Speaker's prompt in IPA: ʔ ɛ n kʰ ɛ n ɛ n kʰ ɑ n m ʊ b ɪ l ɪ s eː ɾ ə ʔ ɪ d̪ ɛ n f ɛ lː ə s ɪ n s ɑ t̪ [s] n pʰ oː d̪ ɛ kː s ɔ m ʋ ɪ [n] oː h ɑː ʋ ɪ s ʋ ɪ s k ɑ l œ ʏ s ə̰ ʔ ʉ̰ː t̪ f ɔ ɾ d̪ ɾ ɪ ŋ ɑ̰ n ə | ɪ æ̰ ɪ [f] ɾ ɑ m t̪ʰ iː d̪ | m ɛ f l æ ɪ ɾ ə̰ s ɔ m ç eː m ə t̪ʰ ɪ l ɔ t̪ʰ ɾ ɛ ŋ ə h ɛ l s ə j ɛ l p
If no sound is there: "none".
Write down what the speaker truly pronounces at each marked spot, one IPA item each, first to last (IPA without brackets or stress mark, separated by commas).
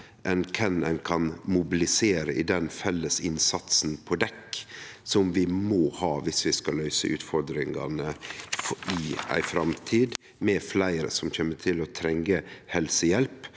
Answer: s, m, f